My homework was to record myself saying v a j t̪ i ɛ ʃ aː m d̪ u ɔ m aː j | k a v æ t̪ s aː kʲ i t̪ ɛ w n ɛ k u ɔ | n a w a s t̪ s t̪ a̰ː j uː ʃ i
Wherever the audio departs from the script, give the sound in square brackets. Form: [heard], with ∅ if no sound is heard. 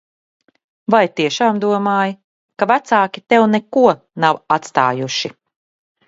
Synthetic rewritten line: v a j t̪ i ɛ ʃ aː m d̪ u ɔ m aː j | k a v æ t̪ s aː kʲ i t̪ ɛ w n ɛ k u ɔ | n a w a [∅] t̪ s t̪ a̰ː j [u] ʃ i